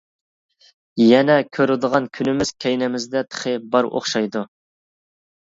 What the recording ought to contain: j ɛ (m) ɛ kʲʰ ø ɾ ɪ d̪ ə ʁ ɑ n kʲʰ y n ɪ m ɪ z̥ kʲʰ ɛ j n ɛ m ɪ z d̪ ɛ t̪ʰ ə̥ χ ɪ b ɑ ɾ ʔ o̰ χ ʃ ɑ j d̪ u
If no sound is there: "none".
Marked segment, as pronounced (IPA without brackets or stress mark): n